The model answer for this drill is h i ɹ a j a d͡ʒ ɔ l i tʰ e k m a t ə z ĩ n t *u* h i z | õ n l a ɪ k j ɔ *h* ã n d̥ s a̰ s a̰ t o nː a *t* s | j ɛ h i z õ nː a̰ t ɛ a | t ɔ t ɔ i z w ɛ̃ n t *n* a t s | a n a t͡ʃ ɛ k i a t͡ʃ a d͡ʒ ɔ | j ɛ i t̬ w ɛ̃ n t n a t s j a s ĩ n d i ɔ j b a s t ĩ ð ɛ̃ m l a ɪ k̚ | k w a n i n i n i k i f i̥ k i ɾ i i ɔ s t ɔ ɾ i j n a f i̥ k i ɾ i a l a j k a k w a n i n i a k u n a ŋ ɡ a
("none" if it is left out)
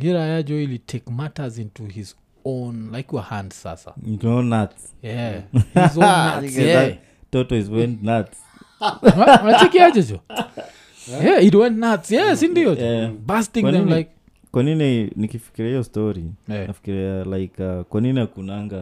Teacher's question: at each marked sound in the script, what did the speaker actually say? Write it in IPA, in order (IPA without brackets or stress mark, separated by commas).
u, h, t, n